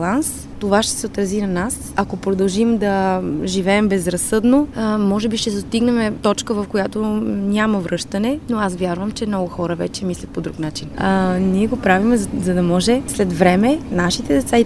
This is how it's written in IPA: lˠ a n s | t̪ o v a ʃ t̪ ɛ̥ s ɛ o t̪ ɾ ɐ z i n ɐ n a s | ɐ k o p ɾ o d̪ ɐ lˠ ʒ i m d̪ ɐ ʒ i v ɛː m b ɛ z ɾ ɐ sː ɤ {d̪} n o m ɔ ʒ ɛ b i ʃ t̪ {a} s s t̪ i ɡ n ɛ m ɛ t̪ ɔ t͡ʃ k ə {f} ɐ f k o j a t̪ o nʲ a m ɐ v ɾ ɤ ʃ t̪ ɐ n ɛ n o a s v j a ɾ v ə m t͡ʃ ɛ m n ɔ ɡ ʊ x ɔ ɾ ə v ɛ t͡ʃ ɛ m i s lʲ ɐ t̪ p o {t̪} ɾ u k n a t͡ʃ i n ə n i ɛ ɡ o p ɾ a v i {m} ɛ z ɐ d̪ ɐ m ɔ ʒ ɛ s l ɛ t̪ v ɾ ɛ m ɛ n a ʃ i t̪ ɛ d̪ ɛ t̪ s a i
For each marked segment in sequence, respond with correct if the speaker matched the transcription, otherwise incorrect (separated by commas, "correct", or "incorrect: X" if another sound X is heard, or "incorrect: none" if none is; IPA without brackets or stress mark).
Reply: correct, incorrect: ɛ, incorrect: v, incorrect: d̪, correct